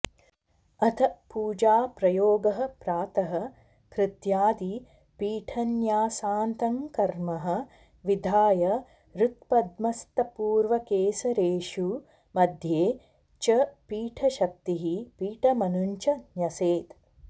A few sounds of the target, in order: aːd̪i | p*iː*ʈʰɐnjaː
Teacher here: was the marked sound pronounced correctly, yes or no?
yes